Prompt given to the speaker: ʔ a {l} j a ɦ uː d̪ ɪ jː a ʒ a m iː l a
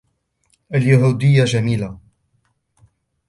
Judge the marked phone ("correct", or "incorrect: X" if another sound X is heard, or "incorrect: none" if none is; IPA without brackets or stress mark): correct